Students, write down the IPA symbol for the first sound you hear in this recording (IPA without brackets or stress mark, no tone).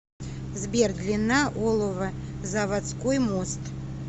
z